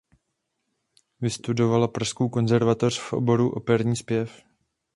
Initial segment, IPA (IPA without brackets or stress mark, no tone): v